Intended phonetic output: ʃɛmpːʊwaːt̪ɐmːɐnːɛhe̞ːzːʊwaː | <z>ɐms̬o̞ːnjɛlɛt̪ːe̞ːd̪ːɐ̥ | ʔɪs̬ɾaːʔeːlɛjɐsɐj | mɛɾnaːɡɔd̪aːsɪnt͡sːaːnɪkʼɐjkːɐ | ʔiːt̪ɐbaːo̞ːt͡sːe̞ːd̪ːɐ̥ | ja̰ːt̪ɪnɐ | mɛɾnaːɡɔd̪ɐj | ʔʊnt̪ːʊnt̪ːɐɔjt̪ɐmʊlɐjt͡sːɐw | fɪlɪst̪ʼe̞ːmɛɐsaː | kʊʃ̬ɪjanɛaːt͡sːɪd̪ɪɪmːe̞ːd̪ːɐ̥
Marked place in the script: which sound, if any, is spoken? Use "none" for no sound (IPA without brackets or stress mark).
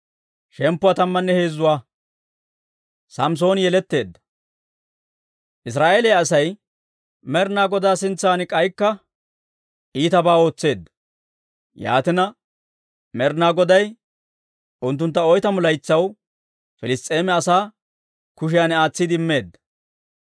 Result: s